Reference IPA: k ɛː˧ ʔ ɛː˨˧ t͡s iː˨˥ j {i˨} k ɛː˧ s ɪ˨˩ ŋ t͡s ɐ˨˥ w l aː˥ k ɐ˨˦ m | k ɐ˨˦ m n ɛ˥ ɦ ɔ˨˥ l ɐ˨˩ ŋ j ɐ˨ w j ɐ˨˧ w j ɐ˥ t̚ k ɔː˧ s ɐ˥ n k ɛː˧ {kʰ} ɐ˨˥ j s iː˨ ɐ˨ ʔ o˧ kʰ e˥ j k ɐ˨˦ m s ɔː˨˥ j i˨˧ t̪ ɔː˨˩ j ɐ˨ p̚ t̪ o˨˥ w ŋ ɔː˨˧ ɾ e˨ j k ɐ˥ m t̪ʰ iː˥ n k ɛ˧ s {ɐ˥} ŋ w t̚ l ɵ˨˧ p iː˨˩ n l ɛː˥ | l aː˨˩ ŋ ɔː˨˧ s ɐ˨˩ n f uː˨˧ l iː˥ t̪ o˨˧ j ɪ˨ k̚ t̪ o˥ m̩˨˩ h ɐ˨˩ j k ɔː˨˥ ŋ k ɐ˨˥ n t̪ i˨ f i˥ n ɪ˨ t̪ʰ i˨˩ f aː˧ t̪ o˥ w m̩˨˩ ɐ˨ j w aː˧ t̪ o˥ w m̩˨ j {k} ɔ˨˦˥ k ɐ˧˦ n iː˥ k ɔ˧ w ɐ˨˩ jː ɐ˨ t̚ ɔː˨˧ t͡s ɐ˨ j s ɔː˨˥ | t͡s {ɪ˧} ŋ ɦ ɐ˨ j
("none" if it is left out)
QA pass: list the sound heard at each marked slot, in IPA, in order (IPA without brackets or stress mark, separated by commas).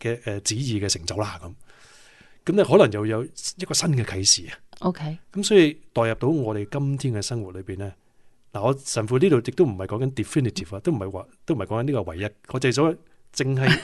iː˨, kʰ, ɐ˥, k, ɪ˧